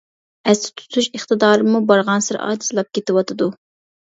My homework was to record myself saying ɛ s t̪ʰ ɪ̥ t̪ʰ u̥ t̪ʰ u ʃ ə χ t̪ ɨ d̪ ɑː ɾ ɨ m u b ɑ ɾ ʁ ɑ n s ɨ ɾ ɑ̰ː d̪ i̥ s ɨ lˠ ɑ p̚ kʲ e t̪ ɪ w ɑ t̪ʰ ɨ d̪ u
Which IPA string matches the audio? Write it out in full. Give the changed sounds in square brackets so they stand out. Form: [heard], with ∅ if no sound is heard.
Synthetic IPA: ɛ s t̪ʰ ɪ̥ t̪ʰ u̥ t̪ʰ u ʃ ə χ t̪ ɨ d̪ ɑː ɾ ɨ m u b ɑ ɾ ʁ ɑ n s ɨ ɾ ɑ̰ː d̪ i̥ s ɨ lˠ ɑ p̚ kʲ e t̪ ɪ w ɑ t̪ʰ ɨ d̪ u